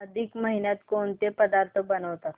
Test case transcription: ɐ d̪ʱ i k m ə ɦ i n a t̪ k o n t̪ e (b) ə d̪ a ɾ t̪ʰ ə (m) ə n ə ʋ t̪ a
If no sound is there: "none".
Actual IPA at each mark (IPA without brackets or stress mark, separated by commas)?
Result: p, b